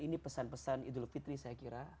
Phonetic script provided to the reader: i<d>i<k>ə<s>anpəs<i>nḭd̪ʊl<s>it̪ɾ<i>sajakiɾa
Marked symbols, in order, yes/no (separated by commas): no, no, yes, no, no, yes